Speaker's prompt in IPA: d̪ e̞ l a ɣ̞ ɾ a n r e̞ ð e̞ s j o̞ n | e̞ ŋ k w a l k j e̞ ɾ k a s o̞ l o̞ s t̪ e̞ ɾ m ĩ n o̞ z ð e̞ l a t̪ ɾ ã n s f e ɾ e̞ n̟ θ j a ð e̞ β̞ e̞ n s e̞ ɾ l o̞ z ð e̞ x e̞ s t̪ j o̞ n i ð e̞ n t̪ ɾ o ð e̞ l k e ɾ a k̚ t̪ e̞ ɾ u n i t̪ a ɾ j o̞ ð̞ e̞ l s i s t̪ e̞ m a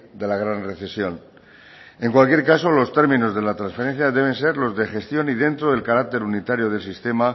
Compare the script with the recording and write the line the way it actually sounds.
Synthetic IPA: d̪ e̞ l a ɣ̞ ɾ a n r e̞ θ e̞ s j o̞ n | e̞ ŋ k w a l k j e̞ ɾ k a s o̞ l o̞ s t̪ e̞ ɾ m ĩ n o̞ z ð e̞ l a t̪ ɾ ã n s f e ɾ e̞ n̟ θ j a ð e̞ β̞ e̞ n s e̞ ɾ l o̞ z ð e̞ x e̞ s t̪ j o̞ n i ð e̞ n t̪ ɾ o ð e̞ l k a ɾ a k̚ t̪ e̞ ɾ u n i t̪ a ɾ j o̞ ð̞ e̞ l s i s t̪ e̞ m a

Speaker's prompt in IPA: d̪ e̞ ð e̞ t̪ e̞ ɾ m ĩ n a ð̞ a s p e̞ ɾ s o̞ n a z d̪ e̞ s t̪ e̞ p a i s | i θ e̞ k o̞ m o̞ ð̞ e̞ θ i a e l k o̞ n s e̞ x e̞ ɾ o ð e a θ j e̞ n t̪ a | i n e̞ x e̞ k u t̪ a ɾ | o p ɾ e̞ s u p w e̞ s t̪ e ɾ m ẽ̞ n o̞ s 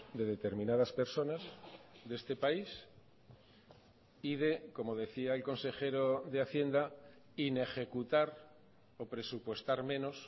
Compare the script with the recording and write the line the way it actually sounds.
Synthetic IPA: d̪ e̞ ð e̞ t̪ e̞ ɾ m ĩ n a ð̞ a s p e̞ ɾ s o̞ n a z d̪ e̞ s t̪ e̞ p a i s | i ð e̞ k o̞ m o̞ ð̞ e̞ θ i a e l k o̞ n s e̞ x e̞ ɾ o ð e a θ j e̞ n d̪ a | i n e̞ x e̞ k u t̪ a ɾ | o p ɾ e̞ s u p w e̞ s t̪ a ɾ m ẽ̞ n o̞ s

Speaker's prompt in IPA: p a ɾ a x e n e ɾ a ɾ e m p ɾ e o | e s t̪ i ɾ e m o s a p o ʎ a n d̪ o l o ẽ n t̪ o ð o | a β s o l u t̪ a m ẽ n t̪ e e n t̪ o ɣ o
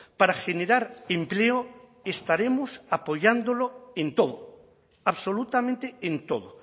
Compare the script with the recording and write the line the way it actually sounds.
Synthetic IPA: p a ɾ a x e n e ɾ a ɾ e m p l e o | e s t̪ a ɾ e m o s a p o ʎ a n d̪ o l o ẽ n t̪ o ð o | a β s o l u t̪ a m ẽ n t̪ e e n t̪ o ð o

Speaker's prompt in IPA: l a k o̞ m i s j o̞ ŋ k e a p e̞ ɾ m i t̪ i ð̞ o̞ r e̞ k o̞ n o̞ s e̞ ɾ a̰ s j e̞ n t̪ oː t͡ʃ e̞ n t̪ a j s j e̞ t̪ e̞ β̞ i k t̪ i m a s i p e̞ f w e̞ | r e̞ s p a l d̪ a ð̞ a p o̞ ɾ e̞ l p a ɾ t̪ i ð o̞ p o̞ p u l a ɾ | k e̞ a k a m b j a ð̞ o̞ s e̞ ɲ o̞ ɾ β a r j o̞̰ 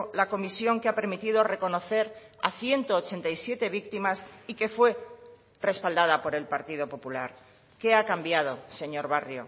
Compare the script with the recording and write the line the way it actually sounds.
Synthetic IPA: l a k o̞ m i s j o̞ ŋ k e a p e̞ ɾ m i t̪ i ð̞ o̞ r e̞ k o̞ n o̞ θ e̞ ɾ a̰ θ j e̞ n t̪ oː t͡ʃ e̞ n t̪ a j s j e̞ t̪ e̞ β̞ i k t̪ i m a s i k e̞ f w e̞ | r e̞ s p a l d̪ a ð̞ a p o̞ ɾ e̞ l p a ɾ t̪ i ð o̞ p o̞ p u l a ɾ | k e̞ a k a m b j a ð̞ o̞ s e̞ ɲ o̞ ɾ β a r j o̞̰

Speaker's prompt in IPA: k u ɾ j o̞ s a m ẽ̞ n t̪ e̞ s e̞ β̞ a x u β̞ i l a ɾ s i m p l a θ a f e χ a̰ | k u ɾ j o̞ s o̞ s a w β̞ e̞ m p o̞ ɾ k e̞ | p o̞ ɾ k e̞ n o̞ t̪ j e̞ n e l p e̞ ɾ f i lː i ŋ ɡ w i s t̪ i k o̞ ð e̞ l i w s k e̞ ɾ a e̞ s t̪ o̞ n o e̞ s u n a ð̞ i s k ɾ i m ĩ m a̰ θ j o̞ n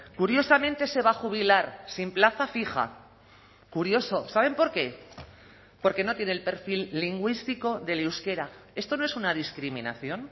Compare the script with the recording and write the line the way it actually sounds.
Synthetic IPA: k u ɾ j o̞ s a m ẽ̞ n t̪ e̞ s e̞ β̞ a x u β̞ i l a ɾ s i m p l a θ a f i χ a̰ | k u ɾ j o̞ s o̞ s a β̞ e̞ m p o̞ ɾ k e̞ | p o̞ ɾ k e̞ n o̞ t̪ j e̞ n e l p e̞ ɾ f i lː i ŋ ɡ w i s t̪ i k o̞ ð e̞ l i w s k e̞ ɾ a e̞ s t̪ o̞ n o e̞ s u n a ð̞ i s k ɾ i m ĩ n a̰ θ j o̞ n

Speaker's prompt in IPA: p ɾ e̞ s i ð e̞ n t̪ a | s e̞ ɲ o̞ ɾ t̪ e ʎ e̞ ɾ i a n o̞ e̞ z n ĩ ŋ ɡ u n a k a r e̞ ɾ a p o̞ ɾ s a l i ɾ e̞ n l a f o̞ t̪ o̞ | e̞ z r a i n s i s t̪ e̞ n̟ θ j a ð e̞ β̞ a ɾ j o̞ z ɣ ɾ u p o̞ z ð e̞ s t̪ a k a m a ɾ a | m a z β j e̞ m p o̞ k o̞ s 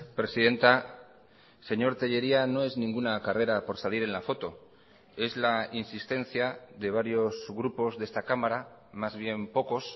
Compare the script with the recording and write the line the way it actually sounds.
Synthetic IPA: p ɾ e̞ s i ð e̞ n t̪ a | s e̞ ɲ o̞ ɾ t̪ e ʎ e̞ ɾ i a n o̞ e̞ z n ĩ ŋ ɡ u n a k a r e̞ ɾ a p o̞ ɾ s a l i ɾ e̞ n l a f o̞ t̪ o̞ | e̞ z l a i n s i s t̪ e̞ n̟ θ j a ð e̞ β̞ a ɾ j o̞ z ɣ ɾ u p o̞ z ð e̞ s t̪ a k a m a ɾ a | m a z β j e̞ m p o̞ k o̞ s

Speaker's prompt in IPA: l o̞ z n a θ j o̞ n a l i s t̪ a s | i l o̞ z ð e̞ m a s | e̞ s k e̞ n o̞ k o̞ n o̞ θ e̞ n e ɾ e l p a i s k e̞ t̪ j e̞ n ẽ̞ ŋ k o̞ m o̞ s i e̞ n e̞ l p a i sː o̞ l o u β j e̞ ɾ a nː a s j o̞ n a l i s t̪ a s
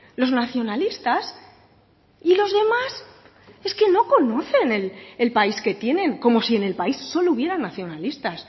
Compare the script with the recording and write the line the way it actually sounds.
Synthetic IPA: l o̞ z n a θ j o̞ n a l i s t̪ a s | i l o̞ z ð e̞ m a s | e̞ s k e̞ n o̞ k o̞ n o̞ θ e̞ n e l e l p a i s k e̞ t̪ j e̞ n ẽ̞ ŋ k o̞ m o̞ s i e̞ n e̞ l p a i sː o̞ l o u β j e̞ ɾ a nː a θ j o̞ n a l i s t̪ a s

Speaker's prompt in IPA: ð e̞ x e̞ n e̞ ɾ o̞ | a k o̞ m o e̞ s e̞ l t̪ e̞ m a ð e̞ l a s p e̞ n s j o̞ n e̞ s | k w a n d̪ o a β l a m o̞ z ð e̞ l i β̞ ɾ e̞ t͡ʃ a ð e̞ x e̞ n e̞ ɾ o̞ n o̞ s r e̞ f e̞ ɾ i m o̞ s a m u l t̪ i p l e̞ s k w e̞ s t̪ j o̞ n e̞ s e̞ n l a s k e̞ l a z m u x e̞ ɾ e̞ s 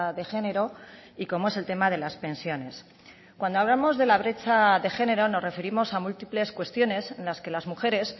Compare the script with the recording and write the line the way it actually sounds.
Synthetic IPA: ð e̞ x e̞ n e̞ ɾ o̞ | i k o̞ m o e̞ s e̞ l t̪ e̞ m a ð e̞ l a s p e̞ n s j o̞ n e̞ s | k w a n d̪ o a β l a m o̞ z ð e̞ l a β̞ ɾ e̞ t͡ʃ a ð e̞ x e̞ n e̞ ɾ o̞ n o̞ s r e̞ f e̞ ɾ i m o̞ s a m u l t̪ i p l e̞ s k w e̞ s t̪ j o̞ n e̞ s e̞ n l a s k e̞ l a z m u x e̞ ɾ e̞ s

